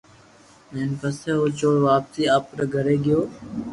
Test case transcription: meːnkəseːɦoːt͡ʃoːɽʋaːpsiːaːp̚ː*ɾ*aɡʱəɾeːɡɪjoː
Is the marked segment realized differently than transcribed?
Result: no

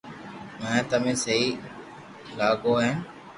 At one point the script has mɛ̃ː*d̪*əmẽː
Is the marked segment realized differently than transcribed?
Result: yes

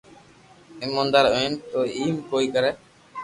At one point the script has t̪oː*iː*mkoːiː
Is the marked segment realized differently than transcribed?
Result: no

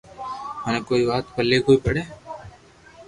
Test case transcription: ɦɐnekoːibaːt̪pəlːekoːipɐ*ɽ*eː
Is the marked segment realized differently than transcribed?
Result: no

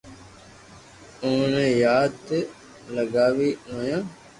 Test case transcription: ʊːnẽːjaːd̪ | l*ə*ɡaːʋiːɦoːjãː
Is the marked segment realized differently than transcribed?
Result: no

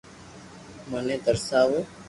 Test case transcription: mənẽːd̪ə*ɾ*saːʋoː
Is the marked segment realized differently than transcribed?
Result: no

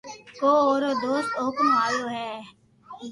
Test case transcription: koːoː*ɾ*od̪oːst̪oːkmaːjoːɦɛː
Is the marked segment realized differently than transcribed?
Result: no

